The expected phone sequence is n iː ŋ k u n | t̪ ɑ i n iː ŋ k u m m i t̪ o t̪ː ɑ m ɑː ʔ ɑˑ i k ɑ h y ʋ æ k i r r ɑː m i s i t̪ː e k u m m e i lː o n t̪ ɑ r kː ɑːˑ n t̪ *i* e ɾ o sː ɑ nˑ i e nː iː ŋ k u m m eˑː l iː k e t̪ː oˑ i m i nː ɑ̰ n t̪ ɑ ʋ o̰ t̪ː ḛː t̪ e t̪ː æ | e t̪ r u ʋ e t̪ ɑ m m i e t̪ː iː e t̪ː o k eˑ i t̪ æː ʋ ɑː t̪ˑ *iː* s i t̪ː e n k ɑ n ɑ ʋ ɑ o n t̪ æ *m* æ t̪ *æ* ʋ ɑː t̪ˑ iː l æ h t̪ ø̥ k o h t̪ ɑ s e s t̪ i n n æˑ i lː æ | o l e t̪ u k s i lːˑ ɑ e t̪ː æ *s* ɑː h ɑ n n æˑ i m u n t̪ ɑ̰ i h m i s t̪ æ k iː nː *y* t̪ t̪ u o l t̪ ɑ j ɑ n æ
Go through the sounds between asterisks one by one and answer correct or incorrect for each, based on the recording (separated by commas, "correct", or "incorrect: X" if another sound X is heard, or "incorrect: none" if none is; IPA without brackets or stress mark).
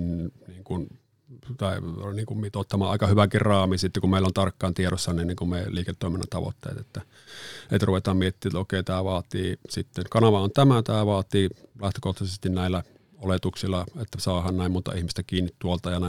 correct, correct, correct, incorrect: æː, correct, incorrect: i